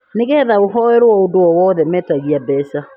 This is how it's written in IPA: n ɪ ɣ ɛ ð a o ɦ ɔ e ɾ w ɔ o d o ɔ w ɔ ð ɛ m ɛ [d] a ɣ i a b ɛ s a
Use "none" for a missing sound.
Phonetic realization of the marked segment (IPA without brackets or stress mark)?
t